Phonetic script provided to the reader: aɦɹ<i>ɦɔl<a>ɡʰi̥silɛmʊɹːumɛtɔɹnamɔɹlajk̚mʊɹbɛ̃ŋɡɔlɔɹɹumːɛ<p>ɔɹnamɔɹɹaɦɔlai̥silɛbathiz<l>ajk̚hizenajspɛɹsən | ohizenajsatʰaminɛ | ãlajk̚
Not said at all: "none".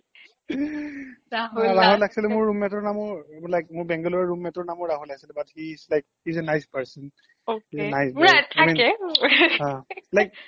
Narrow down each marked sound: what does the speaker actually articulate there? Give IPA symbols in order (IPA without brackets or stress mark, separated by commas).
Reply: a, a, t, l